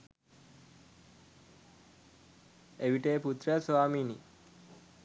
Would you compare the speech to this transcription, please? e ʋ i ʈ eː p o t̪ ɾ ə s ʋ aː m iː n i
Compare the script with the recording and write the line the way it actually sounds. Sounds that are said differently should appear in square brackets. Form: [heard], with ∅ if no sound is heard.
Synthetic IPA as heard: e ʋ i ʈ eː p [u] t̪ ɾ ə s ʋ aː m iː n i